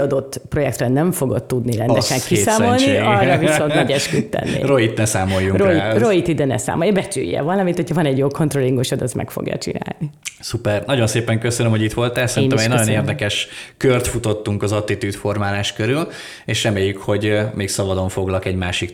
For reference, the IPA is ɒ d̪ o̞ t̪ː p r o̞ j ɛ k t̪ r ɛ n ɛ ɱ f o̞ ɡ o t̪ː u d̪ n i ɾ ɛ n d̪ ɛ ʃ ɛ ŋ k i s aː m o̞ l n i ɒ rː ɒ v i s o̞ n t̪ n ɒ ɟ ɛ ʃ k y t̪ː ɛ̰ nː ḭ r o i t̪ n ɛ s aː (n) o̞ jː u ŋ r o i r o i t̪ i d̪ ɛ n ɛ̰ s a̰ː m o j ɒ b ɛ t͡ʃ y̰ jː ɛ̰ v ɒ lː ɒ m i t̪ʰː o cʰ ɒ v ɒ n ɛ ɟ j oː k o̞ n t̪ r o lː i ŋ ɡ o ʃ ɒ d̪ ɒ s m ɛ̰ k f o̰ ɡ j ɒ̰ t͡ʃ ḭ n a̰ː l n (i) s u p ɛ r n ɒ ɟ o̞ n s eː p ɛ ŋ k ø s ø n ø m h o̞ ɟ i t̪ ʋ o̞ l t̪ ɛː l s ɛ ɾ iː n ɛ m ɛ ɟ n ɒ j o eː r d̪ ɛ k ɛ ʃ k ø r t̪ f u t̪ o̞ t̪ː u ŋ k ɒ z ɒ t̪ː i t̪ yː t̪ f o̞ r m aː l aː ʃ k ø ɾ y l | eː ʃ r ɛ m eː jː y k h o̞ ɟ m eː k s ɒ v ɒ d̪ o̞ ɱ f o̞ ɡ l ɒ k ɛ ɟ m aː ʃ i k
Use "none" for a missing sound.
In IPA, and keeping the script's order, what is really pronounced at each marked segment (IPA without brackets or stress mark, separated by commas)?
m, i